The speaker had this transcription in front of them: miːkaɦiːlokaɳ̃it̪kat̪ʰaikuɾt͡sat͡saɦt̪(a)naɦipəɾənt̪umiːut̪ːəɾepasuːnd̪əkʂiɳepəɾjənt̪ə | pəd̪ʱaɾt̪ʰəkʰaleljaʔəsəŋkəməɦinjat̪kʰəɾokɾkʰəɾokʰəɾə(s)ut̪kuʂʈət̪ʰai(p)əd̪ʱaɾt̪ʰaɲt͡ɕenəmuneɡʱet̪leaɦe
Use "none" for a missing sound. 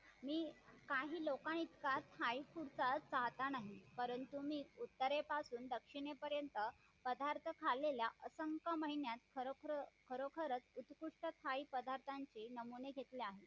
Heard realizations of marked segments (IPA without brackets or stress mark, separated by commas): a, t͡s, p